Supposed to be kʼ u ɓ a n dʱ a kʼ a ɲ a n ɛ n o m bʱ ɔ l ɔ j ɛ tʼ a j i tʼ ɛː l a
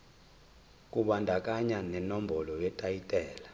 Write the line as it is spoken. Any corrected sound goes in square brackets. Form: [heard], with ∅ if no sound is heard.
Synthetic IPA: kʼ u ɓ a n dʱ a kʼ a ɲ a n ɛ n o m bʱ ɔ l ɔ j ɛ tʼ a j i tʼ ɛː l a